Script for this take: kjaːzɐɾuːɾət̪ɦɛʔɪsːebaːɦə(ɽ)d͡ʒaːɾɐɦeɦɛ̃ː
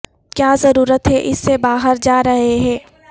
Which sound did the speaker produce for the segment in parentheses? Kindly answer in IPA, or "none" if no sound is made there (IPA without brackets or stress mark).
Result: ɾ